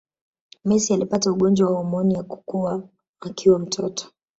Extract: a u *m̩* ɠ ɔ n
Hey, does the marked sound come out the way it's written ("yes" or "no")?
no